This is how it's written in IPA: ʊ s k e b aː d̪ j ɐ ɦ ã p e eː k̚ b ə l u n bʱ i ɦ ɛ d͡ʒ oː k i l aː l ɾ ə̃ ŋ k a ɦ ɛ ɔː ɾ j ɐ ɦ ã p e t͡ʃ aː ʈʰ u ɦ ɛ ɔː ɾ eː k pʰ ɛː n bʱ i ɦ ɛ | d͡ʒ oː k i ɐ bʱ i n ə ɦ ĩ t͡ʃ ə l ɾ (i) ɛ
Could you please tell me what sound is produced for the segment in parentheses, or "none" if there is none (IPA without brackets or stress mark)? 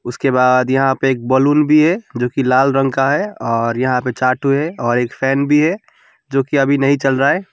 a